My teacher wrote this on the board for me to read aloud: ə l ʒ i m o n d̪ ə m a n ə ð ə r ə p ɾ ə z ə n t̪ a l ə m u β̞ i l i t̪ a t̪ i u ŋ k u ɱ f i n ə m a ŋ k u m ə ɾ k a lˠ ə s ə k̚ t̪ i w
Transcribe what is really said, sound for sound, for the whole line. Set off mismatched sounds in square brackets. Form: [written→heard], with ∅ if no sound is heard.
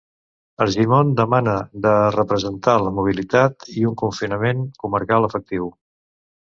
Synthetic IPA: ə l ʒ i m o n d̪ ə m a n ə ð ə r ə p ɾ ə z ə n t̪ a l ə m u β̞ i l i t̪ a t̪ i u ŋ k u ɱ f i n ə m [a→e] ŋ k u m ə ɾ k a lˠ ə [s→f] ə k̚ t̪ i w

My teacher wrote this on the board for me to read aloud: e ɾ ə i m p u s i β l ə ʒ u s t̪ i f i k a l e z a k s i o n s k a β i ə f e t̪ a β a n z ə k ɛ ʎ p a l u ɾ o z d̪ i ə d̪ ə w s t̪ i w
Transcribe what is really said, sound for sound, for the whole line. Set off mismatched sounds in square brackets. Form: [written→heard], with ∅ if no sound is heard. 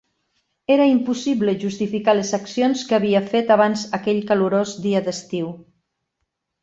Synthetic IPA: e ɾ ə i m p u s i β l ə ʒ u s t̪ i f i k a l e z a k s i o n s k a β i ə f e t̪ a β a n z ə k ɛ ʎ [p→k] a l u ɾ o z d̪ i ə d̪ ə [w→∅] s t̪ i w

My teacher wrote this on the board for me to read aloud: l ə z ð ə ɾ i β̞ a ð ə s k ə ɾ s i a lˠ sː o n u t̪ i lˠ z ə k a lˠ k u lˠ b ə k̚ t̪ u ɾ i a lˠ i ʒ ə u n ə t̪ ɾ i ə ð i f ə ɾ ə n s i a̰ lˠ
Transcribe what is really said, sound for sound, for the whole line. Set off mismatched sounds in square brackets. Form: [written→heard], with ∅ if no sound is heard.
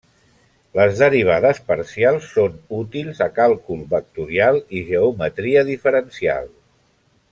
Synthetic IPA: l ə z ð ə ɾ i β̞ a ð ə s [k→p] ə ɾ s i a lˠ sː o n u t̪ i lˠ z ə k a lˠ k u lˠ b ə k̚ t̪ u ɾ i a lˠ i ʒ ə u [n→m] ə t̪ ɾ i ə ð i f ə ɾ ə n s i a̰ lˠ

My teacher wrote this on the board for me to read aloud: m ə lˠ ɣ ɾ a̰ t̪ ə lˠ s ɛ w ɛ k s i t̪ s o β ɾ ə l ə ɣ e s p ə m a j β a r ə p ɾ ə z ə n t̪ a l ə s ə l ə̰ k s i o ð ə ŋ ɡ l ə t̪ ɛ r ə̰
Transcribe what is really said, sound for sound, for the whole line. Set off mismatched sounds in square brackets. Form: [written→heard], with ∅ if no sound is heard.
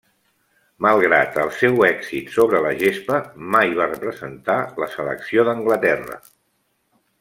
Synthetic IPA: m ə lˠ ɣ ɾ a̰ t̪ ə lˠ s ɛ w ɛ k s i t̪ s o β ɾ ə l ə [ɣ→ʒ] e s p ə m a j β a r ə p ɾ ə z ə n t̪ a l ə s ə l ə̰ k s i o ð ə ŋ ɡ l ə t̪ ɛ r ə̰

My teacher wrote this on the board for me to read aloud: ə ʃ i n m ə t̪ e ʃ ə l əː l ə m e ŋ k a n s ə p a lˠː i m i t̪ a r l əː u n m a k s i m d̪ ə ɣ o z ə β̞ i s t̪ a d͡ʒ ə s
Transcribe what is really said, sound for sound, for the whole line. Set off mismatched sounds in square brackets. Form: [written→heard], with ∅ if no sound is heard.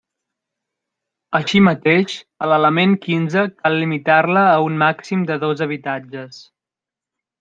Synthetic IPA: ə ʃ i [n→∅] m ə t̪ e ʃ ə l [əː→ə] l ə m e ŋ k [a→i] n [s→z] ə [p→k] a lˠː i m i t̪ a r l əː u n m a k s i m d̪ ə [ɣ→ð] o z ə β̞ i [s→∅] t̪ a d͡ʒ ə s

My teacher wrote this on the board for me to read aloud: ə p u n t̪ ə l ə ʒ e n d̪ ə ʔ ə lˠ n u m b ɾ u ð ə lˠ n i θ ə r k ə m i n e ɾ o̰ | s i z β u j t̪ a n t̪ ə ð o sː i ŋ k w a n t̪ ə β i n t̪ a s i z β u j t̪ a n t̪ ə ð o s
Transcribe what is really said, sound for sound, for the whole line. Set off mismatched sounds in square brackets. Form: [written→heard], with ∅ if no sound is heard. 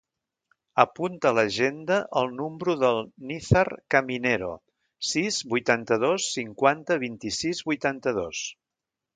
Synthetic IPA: ə p u n t̪ ə l ə ʒ e n d̪ ə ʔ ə lˠ n u m b ɾ u ð ə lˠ n i θ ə r k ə m i n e ɾ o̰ | s i z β u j t̪ a n t̪ ə ð o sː i ŋ k w a n t̪ ə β i n t̪ [a→i] s i z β u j t̪ a n t̪ ə ð o s

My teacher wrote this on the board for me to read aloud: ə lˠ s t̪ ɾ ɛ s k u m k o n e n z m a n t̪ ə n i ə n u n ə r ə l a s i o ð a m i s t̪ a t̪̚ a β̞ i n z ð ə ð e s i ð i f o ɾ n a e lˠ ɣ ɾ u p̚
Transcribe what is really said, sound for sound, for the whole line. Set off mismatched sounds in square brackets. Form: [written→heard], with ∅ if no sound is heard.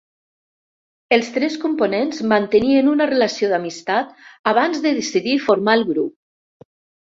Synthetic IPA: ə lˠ s t̪ ɾ ɛ s k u m [k→p] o n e n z m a n t̪ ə n i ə n u n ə r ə l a s i o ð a m i s t̪ a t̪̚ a β̞ [i→a] n z ð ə ð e s i ð i f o ɾ [n→m] a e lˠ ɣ ɾ u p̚

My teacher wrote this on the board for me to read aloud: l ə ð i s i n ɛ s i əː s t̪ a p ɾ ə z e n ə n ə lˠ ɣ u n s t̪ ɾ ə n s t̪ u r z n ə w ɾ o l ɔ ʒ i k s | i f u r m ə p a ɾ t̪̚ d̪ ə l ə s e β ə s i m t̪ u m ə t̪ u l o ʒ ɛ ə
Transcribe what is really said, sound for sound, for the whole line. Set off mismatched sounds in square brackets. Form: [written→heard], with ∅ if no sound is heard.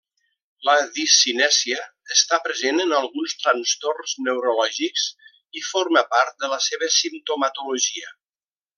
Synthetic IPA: l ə ð i s i n ɛ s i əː s t̪ a p ɾ ə z e n ə n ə lˠ ɣ u n s t̪ ɾ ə n s t̪ [u→o] r z n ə w ɾ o l ɔ ʒ i k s | i f [u→o] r m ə p a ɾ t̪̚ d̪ ə l ə s e β ə s i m t̪ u m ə t̪ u l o ʒ [ɛ→i] ə

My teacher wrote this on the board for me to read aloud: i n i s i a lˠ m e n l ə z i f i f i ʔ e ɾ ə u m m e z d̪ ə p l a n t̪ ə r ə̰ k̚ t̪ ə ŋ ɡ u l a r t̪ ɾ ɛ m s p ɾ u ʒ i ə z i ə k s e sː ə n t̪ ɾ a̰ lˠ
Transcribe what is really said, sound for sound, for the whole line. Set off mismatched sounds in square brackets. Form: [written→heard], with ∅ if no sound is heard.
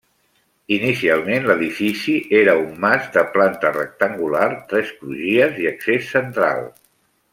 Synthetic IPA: i n i s i a lˠ m e n l ə [z→ð] i f i [f→s] i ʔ e ɾ ə u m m [e→a] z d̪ ə p l a n t̪ ə r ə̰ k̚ t̪ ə ŋ ɡ u l a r t̪ ɾ ɛ [m→∅] s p ɾ u ʒ i ə z i ə k s e sː ə n t̪ ɾ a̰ lˠ

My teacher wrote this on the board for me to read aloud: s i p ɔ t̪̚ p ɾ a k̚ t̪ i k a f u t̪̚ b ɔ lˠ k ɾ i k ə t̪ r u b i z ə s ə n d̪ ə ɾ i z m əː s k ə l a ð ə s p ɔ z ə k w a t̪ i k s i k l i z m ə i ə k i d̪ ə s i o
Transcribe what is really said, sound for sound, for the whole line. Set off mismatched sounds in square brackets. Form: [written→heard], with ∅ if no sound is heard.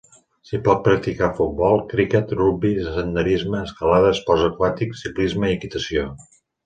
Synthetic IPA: s i p ɔ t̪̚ p ɾ [a→ə] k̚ t̪ i k a f u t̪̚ b ɔ lˠ k ɾ i k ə t̪ r u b i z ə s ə n d̪ ə ɾ i z m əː s k ə l a ð ə s p ɔ z ə k w a t̪ i k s i k l i z m ə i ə k i [d̪→t̪] ə s i o

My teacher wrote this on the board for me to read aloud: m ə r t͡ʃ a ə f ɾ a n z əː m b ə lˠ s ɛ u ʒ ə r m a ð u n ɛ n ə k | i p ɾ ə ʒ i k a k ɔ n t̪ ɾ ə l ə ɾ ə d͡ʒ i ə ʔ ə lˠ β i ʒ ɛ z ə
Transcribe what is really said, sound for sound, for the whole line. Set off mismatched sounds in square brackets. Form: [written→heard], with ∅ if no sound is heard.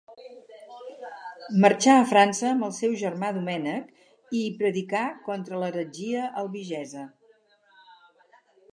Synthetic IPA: m ə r t͡ʃ a ə f ɾ a n [z→s] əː m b ə lˠ s ɛ [u→w] ʒ ə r m a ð u [n→m] ɛ n ə k | i p ɾ ə [ʒ→ð] i k a k ɔ n t̪ ɾ ə l ə ɾ ə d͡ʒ i ə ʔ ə lˠ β i ʒ ɛ z ə

